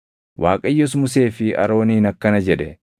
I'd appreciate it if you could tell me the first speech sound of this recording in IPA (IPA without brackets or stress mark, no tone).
w